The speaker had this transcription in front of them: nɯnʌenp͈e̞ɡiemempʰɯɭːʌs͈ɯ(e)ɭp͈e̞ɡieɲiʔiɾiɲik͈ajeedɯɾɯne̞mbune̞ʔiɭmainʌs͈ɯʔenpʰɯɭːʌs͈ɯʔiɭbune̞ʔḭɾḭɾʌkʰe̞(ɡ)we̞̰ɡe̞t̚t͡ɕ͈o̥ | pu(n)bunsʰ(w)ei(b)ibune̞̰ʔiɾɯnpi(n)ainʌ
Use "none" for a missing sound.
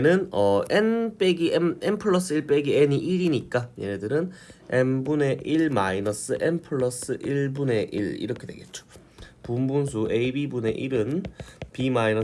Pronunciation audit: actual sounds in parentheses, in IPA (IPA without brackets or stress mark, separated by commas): i, d, m, u, b, m